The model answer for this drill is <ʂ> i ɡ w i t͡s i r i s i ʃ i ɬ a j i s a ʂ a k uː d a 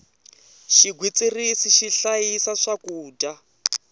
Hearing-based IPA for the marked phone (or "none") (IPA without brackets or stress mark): ʃ